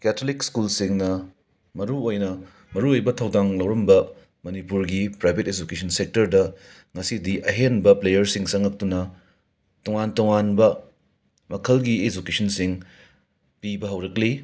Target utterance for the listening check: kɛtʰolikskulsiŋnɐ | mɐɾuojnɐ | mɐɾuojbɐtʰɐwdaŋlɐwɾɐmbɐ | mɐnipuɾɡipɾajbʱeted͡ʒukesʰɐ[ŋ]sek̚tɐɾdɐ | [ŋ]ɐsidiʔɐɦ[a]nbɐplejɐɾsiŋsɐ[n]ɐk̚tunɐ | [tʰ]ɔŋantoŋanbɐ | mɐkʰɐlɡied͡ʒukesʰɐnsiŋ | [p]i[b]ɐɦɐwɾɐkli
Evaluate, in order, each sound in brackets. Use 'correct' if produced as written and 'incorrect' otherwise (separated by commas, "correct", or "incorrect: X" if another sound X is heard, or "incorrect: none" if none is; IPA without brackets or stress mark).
incorrect: n, correct, incorrect: e, incorrect: ŋ, incorrect: t, correct, correct